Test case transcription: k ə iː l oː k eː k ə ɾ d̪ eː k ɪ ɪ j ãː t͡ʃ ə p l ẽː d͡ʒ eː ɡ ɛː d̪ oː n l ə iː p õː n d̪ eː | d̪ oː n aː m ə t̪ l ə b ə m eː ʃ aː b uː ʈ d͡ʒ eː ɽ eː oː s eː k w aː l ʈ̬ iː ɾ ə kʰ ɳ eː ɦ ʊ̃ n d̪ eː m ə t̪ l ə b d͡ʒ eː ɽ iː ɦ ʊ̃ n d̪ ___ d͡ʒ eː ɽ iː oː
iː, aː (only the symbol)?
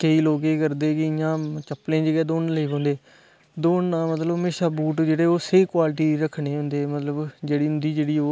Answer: iː